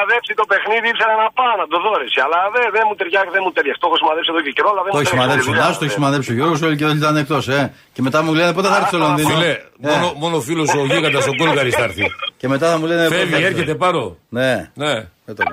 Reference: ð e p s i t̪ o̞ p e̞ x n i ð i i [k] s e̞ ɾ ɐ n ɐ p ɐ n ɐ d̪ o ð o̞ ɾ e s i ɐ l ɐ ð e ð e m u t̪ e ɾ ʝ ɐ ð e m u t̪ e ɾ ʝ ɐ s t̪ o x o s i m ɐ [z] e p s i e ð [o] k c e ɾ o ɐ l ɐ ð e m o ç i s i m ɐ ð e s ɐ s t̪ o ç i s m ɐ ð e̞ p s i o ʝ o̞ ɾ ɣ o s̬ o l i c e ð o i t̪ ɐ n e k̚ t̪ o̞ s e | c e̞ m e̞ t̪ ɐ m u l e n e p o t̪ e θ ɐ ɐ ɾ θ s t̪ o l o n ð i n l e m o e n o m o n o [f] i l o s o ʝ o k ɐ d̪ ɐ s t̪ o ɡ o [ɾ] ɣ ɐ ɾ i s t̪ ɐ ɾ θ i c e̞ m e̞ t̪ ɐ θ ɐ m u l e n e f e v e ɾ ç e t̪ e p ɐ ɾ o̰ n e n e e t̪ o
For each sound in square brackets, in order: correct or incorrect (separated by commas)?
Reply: incorrect, incorrect, correct, correct, incorrect